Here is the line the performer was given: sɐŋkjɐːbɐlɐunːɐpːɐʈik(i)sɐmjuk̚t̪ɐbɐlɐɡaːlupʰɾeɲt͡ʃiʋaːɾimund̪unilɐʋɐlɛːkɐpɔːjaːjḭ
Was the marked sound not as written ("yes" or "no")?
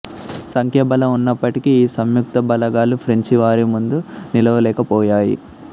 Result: yes